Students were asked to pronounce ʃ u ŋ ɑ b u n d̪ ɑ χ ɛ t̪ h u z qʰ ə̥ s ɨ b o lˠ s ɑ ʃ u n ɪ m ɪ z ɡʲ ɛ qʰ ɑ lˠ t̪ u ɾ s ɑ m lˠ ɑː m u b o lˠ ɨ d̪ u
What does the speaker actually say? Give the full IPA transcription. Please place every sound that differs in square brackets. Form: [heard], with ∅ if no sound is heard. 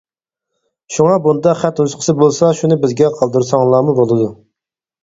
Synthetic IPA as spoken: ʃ u ŋ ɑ b u n d̪ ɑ χ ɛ t̪ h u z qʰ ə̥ s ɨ b o lˠ s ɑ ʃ u n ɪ [b] ɪ z ɡʲ ɛ qʰ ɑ lˠ [d̪] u ɾ s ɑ [ŋ] lˠ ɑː m u b o lˠ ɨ d̪ u